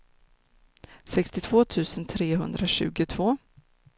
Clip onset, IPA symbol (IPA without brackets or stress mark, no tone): s